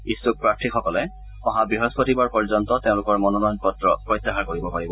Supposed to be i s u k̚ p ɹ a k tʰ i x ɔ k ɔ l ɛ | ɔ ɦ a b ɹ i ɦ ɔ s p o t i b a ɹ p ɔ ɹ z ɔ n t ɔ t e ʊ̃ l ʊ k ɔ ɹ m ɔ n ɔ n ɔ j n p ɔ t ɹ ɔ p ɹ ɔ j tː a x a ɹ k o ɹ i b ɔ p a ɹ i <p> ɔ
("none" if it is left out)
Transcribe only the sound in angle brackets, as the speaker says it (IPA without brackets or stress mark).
b